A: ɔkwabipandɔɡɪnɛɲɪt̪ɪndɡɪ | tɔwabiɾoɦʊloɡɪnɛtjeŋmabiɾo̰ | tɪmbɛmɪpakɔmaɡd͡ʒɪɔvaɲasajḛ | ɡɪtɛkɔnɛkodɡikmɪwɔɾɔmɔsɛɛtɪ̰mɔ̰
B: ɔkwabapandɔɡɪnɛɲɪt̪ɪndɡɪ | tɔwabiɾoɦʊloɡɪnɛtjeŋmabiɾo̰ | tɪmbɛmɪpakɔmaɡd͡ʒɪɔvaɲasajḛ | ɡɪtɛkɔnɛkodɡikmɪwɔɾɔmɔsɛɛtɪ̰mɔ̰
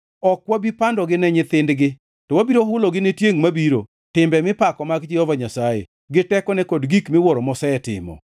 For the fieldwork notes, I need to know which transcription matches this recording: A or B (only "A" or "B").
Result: A